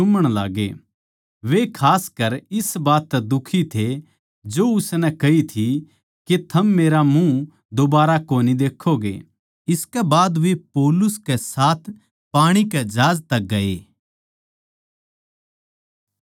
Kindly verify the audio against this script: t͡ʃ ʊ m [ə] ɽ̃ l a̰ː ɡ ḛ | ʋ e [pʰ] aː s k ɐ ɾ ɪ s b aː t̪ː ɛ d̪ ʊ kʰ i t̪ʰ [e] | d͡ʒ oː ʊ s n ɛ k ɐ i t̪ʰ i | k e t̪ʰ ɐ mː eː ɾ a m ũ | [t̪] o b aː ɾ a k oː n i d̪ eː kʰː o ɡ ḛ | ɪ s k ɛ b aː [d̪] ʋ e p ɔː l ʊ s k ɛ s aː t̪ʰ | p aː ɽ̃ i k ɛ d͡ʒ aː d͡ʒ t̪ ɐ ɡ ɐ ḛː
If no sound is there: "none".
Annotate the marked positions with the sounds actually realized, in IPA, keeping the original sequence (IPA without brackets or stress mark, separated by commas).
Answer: ə, kʰ, e, d̪, d̪